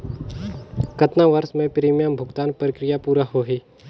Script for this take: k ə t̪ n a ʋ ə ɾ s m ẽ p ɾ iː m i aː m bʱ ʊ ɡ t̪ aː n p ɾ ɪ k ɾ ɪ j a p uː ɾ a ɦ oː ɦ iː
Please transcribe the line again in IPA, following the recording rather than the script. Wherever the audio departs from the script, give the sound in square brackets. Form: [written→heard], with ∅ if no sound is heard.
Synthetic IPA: k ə t̪ n a ʋ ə ɾ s m ẽ p ɾ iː m [i→j] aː m bʱ ʊ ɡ t̪ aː n p ɾ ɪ k ɾ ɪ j a p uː ɾ a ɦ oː ɦ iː